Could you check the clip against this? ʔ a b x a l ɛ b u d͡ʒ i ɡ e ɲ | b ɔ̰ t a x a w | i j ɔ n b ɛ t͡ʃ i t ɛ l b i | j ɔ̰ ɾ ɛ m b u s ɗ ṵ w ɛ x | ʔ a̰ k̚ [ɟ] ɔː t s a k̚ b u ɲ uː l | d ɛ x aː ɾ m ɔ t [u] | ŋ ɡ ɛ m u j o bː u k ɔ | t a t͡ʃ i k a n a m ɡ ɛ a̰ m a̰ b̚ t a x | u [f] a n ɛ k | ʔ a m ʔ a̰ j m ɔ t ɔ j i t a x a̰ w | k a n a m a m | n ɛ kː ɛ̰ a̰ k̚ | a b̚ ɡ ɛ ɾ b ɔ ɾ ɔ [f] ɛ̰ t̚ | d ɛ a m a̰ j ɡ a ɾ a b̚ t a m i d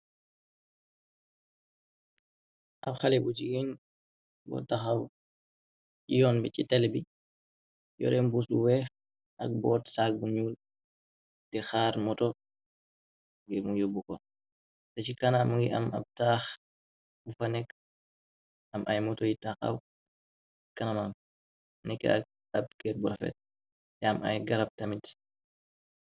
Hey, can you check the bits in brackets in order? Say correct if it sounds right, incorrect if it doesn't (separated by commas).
incorrect, incorrect, correct, correct